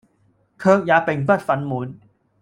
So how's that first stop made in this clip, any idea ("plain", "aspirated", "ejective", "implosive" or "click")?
aspirated